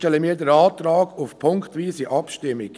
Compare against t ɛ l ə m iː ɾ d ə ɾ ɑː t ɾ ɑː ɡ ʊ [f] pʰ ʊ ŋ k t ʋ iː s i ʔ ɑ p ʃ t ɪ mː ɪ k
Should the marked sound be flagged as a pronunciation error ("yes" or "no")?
no